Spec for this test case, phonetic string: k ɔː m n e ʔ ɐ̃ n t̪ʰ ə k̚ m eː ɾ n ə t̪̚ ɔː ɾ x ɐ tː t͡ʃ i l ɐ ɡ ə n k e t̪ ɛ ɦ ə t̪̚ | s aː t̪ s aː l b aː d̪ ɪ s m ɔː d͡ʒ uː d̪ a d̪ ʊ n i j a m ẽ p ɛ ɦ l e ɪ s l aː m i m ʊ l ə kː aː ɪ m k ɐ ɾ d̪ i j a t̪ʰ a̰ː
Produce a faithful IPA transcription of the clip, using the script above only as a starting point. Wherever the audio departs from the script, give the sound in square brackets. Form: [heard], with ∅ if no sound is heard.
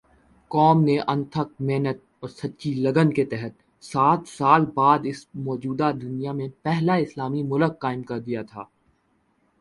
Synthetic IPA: k ɔː m n e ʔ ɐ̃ n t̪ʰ ə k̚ m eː [∅] n ə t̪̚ ɔː ɾ [s] ɐ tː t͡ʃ i l ɐ ɡ ə n k e t̪ ɛ ɦ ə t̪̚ | s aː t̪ s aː l b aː d̪ ɪ s m ɔː d͡ʒ uː d̪ a d̪ ʊ n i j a m ẽ p ɛ ɦ l [a] ɪ s l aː m i m ʊ l ə kː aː ɪ m k ɐ ɾ d̪ i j a t̪ʰ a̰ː